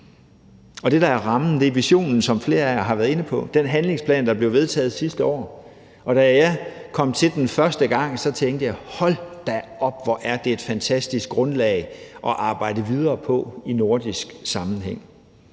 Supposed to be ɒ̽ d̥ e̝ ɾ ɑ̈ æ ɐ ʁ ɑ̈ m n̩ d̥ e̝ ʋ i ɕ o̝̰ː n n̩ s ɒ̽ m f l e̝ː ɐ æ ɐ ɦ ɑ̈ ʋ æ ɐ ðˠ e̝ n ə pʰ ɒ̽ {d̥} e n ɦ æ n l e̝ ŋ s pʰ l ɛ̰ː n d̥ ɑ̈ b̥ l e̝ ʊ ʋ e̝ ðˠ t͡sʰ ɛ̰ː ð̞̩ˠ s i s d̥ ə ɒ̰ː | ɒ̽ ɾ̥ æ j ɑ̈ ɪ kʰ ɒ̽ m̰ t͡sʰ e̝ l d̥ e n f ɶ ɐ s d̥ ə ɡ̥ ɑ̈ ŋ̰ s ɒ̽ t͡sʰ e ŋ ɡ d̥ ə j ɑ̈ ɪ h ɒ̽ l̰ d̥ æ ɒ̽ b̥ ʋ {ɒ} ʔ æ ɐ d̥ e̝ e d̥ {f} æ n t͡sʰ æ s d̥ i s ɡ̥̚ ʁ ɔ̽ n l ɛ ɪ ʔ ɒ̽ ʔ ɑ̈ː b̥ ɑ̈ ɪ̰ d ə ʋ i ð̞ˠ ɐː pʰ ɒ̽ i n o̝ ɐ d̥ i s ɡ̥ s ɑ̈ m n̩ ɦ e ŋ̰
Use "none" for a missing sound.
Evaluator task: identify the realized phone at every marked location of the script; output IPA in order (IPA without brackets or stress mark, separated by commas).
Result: d̥, ɒ, f